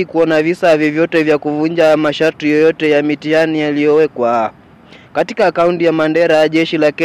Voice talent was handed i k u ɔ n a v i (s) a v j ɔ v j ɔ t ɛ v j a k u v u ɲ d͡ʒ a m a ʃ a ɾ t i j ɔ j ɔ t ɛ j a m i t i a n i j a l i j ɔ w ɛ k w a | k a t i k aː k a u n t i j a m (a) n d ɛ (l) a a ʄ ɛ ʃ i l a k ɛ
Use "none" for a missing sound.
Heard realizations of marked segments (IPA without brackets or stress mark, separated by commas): s, a, ɾ